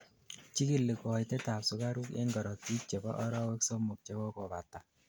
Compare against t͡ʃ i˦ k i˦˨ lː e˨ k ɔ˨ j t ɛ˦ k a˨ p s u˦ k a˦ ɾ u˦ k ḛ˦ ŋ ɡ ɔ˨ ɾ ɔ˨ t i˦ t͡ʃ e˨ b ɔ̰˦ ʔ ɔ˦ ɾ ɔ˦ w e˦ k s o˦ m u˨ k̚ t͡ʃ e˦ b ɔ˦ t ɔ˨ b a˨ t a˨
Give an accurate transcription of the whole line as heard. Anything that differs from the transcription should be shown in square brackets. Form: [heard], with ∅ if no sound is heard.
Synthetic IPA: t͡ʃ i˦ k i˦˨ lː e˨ k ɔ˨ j t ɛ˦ [t] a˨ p s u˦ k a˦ ɾ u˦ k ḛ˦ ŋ ɡ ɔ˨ ɾ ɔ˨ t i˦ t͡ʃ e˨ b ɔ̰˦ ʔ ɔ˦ ɾ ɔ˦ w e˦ k s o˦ m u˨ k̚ t͡ʃ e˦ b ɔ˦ [k] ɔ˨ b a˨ t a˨